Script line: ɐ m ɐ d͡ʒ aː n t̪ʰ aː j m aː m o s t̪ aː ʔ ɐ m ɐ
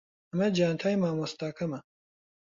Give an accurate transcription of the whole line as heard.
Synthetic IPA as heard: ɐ m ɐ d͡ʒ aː n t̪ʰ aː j m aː m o s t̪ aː k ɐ m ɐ